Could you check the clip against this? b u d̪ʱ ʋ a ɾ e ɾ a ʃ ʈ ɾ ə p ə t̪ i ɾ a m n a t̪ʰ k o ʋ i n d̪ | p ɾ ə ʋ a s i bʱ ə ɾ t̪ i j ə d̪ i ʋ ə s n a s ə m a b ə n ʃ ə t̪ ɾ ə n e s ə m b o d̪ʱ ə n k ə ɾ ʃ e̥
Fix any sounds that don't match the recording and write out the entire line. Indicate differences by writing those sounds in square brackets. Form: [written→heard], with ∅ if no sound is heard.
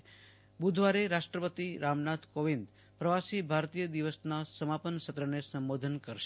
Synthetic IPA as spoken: b u d̪ʱ ʋ a ɾ e ɾ a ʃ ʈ ɾ ə p ə t̪ i ɾ a m n a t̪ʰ k o ʋ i n d̪ | p ɾ ə ʋ a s i bʱ [ə→a] ɾ t̪ i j ə d̪ i ʋ ə s n a s ə m a [b→p] ə n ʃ ə t̪ ɾ ə n e s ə m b o d̪ʱ ə n k ə ɾ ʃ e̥